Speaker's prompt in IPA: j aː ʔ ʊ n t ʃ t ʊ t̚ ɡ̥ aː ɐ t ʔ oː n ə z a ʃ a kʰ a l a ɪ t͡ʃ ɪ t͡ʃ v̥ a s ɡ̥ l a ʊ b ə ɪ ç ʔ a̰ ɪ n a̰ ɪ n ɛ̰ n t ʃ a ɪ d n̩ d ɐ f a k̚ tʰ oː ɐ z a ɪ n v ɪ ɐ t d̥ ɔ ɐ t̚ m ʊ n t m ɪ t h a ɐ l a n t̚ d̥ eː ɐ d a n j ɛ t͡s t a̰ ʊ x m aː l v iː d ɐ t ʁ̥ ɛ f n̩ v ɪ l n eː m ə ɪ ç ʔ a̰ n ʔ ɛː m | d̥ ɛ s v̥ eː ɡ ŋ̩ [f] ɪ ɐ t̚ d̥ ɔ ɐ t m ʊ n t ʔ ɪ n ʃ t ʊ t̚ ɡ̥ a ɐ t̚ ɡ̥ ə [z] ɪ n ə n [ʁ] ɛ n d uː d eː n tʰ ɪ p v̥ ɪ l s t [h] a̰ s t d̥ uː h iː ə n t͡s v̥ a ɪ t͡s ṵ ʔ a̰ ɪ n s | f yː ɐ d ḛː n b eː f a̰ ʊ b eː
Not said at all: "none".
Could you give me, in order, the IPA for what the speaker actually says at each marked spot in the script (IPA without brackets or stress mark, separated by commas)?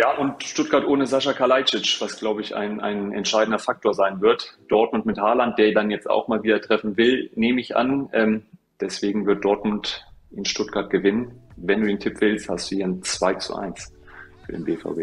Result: v, v, v, h